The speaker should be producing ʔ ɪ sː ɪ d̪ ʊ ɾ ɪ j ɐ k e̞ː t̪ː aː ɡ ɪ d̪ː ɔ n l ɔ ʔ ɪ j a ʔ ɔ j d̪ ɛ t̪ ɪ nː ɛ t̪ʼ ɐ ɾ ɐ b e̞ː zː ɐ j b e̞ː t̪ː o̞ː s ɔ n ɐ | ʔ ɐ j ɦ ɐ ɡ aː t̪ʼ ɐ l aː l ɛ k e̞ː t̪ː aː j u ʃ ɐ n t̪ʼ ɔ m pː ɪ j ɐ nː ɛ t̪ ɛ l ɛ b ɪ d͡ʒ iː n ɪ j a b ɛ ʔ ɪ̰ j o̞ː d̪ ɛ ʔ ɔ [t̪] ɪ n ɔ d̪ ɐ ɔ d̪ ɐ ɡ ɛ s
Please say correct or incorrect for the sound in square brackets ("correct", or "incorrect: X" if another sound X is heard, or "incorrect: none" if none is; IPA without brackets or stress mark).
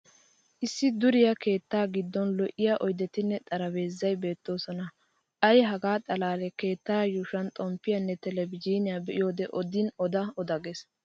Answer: incorrect: d̪